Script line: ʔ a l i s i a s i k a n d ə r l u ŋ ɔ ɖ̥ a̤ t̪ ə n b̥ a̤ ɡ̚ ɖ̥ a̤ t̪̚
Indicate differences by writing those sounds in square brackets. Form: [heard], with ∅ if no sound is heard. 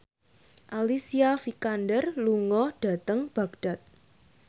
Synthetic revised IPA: ʔ a l i s i a [f] i k a n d ə r l u ŋ ɔ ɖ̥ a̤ t̪ ə [ŋ] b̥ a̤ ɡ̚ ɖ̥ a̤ t̪̚